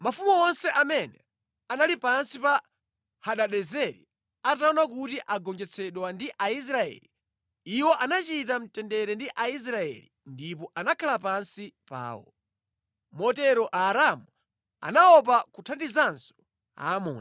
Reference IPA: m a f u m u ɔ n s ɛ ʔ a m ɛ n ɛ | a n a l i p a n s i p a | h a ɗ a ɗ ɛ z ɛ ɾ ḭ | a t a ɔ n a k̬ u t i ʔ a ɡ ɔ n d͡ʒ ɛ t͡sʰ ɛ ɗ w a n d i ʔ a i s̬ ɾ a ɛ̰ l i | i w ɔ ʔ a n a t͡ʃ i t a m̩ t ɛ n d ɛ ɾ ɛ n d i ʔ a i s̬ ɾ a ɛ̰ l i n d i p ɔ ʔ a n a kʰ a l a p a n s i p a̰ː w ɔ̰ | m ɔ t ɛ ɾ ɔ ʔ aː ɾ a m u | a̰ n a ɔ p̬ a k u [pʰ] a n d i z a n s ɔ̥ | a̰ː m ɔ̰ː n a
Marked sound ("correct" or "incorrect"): incorrect